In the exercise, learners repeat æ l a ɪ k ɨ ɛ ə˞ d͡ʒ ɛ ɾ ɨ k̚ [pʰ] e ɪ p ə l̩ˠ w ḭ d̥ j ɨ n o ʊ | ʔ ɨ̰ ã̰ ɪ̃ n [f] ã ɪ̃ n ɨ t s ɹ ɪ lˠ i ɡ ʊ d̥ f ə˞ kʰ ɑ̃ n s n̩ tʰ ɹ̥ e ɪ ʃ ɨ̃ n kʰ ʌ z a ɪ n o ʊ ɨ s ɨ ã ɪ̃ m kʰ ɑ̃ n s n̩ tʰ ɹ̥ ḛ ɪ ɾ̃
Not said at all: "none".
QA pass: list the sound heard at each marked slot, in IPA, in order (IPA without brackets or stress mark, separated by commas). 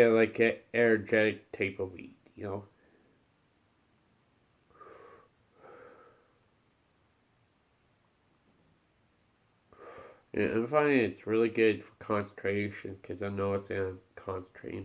tʰ, f